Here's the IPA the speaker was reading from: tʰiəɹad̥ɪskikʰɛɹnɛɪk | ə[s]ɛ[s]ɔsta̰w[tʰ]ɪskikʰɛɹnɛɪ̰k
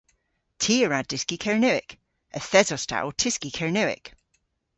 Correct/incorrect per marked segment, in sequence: incorrect: θ, incorrect: z, correct

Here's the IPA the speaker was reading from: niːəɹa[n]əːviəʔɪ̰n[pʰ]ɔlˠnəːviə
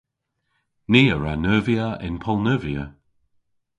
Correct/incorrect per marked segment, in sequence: correct, correct

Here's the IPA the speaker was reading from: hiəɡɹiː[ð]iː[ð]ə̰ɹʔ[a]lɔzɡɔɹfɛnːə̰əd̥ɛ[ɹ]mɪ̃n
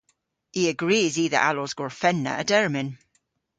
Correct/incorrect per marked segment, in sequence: incorrect: z, correct, correct, correct

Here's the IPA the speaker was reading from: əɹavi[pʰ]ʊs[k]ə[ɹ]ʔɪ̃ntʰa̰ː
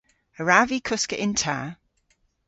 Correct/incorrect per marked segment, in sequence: incorrect: kʰ, correct, incorrect: none

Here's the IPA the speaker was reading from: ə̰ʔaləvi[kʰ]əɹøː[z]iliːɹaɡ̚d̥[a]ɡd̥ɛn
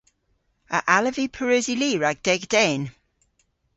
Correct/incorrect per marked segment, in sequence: incorrect: pʰ, correct, incorrect: ɛ

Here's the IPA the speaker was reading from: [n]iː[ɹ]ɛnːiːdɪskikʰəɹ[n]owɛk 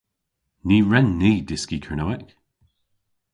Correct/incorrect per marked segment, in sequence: correct, correct, correct

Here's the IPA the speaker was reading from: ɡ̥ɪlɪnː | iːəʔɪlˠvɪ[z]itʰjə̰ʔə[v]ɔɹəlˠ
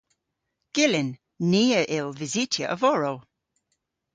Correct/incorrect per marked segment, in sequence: correct, correct

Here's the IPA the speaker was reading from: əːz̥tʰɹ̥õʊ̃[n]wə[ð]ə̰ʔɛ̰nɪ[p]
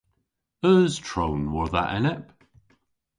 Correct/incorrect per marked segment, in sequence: correct, correct, correct

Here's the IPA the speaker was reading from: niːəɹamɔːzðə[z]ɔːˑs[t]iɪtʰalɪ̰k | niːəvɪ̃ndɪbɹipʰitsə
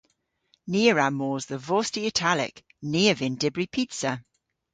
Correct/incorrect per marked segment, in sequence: incorrect: v, correct

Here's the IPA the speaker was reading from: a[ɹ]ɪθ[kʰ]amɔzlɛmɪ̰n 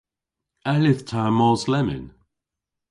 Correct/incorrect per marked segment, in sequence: incorrect: l, incorrect: tʰ

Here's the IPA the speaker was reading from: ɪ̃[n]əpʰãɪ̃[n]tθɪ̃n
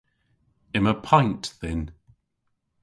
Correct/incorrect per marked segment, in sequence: incorrect: m, correct

